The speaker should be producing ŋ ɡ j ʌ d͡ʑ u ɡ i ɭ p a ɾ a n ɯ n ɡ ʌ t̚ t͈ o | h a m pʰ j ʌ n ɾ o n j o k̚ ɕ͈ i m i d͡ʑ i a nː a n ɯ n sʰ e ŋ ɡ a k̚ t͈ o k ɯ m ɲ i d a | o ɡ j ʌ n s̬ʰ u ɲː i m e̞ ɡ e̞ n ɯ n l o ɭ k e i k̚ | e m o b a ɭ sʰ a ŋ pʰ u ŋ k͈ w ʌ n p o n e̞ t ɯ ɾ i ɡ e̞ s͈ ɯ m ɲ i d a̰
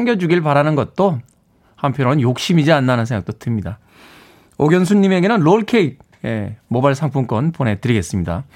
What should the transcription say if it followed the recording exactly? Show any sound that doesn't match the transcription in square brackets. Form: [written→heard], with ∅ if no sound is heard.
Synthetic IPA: ŋ ɡ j ʌ d͡ʑ u ɡ i ɭ p a ɾ a n ɯ n ɡ ʌ t̚ t͈ o | h a m pʰ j ʌ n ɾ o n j o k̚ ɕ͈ i m i d͡ʑ i a nː a n ɯ n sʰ e ŋ ɡ a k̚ t͈ o [k→t] ɯ m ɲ i d a | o ɡ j ʌ n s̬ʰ u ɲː i m e̞ ɡ e̞ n ɯ n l o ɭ [k→kʰ] e i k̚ | e m o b a ɭ sʰ a ŋ pʰ u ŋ k͈ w ʌ n p o n e̞ t ɯ ɾ i ɡ e̞ s͈ ɯ m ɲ i d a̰